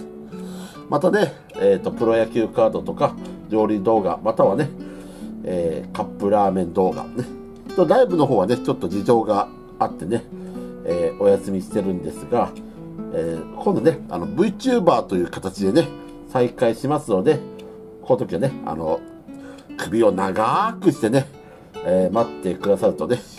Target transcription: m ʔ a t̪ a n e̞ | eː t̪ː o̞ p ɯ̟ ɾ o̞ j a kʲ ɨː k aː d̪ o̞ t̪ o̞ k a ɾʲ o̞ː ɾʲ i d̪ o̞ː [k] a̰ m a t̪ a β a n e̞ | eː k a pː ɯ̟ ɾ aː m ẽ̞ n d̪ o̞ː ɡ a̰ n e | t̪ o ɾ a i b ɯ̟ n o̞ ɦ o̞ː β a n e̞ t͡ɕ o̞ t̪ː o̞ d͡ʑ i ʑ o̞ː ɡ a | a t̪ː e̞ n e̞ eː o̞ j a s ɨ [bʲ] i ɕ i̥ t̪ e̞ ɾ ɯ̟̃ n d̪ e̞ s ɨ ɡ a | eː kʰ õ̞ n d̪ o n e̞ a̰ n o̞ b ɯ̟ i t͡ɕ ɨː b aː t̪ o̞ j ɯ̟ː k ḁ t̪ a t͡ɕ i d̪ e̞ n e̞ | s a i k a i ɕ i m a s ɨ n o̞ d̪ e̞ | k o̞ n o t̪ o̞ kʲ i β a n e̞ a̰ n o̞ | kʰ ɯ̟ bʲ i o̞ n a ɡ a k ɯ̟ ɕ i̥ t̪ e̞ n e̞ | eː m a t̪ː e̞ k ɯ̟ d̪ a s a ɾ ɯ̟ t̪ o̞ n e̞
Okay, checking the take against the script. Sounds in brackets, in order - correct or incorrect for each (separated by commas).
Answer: incorrect, incorrect